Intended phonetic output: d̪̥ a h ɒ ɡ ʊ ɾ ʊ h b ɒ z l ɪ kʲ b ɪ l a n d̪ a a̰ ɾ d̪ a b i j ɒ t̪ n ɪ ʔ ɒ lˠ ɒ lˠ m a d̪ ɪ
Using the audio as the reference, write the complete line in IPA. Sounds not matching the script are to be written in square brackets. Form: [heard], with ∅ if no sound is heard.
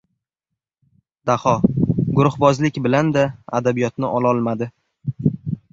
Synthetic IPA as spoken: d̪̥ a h ɒ ɡ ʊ ɾ ʊ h b ɒ z l ɪ kʲ b ɪ l a n d̪ a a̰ [∅] d̪ a b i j ɒ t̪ n ɪ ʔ ɒ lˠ ɒ lˠ m a d̪ ɪ